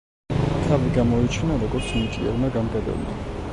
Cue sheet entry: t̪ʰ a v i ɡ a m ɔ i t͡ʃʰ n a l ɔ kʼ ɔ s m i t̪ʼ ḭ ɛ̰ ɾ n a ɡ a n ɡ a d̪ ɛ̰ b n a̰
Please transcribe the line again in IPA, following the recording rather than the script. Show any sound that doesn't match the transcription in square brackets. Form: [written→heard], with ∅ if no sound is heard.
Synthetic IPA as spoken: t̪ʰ a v i ɡ a m ɔ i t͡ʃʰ n a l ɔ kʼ ɔ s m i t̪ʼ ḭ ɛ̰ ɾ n a ɡ a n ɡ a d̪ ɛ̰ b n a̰